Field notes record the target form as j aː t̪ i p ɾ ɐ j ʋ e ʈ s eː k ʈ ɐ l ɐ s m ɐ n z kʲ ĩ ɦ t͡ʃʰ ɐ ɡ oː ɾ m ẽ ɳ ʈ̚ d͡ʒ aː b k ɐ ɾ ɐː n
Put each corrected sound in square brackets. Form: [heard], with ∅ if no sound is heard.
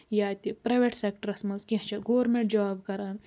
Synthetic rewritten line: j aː t̪ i p ɾ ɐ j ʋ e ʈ s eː k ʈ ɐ [ɾ] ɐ s m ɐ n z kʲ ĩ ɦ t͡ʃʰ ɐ ɡ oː ɾ m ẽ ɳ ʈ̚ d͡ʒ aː b k ɐ ɾ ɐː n